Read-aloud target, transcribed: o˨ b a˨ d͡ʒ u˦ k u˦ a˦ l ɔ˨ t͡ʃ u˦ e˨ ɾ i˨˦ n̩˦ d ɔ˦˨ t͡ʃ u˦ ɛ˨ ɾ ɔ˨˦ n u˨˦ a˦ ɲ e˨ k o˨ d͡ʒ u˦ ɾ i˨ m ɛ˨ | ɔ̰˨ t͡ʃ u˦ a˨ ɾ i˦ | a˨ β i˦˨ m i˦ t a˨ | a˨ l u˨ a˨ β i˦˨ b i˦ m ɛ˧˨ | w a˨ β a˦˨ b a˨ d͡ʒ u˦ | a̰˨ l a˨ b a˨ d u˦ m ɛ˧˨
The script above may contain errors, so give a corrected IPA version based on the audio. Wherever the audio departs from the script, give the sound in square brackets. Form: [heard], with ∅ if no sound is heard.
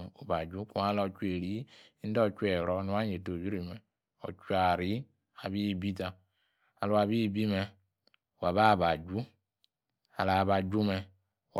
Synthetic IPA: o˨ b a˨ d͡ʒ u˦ k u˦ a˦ l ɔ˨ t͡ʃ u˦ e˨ ɾ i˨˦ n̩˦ d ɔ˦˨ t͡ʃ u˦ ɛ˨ ɾ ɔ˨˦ n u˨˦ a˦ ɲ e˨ [t] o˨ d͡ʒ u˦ ɾ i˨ m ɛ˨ | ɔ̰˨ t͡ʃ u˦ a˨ ɾ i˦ | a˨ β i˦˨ [b] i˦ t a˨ | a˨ l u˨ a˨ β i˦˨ b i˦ m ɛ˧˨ | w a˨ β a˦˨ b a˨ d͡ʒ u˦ | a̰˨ l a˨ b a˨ [d͡ʒ] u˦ m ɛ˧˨